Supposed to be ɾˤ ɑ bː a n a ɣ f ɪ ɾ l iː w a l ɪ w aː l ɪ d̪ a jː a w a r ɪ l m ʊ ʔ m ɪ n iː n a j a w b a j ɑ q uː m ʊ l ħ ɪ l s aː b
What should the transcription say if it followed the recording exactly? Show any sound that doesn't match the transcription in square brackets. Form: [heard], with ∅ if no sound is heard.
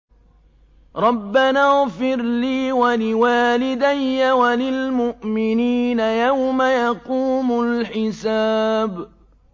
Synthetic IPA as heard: ɾˤ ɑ bː a n a ɣ f ɪ ɾ l iː w a l ɪ w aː l ɪ d̪ a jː a w a [l] ɪ l m ʊ ʔ m ɪ n iː n a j a w [m] a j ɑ q uː m ʊ l ħ ɪ [∅] s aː b